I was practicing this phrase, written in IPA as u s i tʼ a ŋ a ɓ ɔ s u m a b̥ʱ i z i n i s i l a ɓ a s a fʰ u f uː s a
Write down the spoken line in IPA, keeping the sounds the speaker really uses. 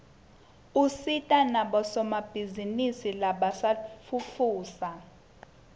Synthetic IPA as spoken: u s i tʼ a n a ɓ ɔ s ɔ m a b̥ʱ i z i n i s i l a ɓ a s a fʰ u f uː s a

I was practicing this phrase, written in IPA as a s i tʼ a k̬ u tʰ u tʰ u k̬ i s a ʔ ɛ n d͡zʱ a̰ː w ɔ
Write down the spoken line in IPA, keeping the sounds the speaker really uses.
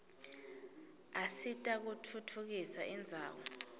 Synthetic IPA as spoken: a s i tʼ a k̬ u tʰ u tʰ u k̬ i s a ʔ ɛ n d͡zʱ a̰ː w ɔ

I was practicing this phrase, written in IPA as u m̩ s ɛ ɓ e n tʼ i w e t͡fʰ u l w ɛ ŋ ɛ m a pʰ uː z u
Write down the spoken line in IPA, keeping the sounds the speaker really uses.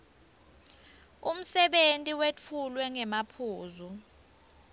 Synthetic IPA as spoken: u m̩ s ɛ ɓ e n tʼ i w e t͡fʰ u l w ɛ ŋ ɛ m a pʰ uː z u

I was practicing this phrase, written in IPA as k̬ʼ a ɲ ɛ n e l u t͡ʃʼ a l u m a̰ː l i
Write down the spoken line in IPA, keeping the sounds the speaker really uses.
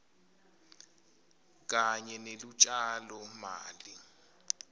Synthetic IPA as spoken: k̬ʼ a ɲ ɛ n e l u t͡ʃʼ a l ɔ m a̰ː l i

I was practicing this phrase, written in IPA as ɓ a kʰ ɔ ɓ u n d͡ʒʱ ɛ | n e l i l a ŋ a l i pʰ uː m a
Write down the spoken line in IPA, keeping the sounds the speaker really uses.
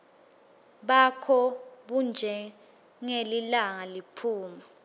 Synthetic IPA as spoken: ɓ a kʰ ɔ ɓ u n d͡ʒʱ ɛ | ŋ e l i l a ŋ a l i pʰ uː m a

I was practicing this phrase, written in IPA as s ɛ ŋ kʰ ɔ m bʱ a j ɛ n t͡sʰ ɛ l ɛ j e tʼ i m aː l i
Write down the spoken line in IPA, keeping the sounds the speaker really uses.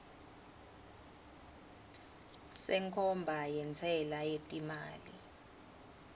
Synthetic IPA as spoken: s ɛ ŋ kʰ ɔ m bʱ a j ɛ n t͡sʰ ɛ l a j e tʼ i m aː l i

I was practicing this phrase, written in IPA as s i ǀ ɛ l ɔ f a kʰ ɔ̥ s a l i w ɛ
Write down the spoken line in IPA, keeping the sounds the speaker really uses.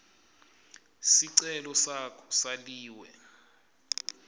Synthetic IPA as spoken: s i ǀ ɛ l ɔ s a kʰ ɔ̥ s a l iː w ɛ

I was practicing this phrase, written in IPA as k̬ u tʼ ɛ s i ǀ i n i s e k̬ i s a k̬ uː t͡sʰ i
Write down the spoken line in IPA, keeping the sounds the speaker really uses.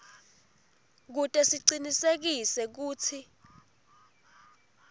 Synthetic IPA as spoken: k̬ u tʼ ɛ s i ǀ i n i s e k̬ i s ɛ k̬ uː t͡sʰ i

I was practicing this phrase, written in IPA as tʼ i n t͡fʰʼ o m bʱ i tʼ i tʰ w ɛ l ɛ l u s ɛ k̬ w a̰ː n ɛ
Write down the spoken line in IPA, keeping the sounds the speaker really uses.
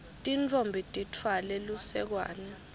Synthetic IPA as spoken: tʼ i n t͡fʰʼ o m bʱ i tʼ i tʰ w a l ɛ l u s ɛ k̬ w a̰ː n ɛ

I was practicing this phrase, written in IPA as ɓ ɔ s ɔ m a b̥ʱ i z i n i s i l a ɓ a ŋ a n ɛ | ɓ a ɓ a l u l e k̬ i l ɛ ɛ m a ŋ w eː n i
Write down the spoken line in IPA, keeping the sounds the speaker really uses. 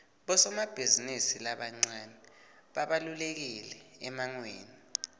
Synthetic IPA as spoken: ɓ ɔ s ɔ m a b̥ʱ i z i n i s i l a ɓ a ŋ͡ǀ a n ɛ | ɓ a ɓ a l u l e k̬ i l ɛ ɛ m a ŋ w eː n i

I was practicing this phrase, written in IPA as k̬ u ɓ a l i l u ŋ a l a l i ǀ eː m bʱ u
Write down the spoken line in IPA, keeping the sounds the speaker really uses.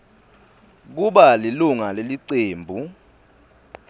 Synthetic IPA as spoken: k̬ u ɓ a l i l u ŋ a l e l i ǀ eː m bʱ u

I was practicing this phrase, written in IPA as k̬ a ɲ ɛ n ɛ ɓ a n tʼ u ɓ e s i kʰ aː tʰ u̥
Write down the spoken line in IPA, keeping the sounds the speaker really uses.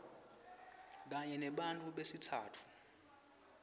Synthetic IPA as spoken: k̬ a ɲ ɛ n ɛ ɓ a n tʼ u ɓ e s i tʰ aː tʰ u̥

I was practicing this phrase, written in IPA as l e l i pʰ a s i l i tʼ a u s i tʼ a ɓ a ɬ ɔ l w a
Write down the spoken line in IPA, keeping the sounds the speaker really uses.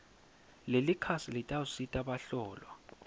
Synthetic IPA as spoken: l e l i kʰ a s i l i tʼ a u s i tʼ a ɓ a ɬ ɔː l w a

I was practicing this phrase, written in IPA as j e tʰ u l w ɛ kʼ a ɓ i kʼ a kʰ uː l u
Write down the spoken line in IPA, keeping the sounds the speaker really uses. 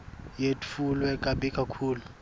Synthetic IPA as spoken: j e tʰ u l w ɛ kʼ a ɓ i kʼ a kʰ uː l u

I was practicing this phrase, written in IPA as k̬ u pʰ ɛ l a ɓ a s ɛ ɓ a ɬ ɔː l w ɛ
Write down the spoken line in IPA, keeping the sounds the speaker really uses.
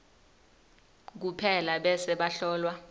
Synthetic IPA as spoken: k̬ u pʰ ɛ l a ɓ ɛ s ɛ ɓ a ɬ ɔː l w a

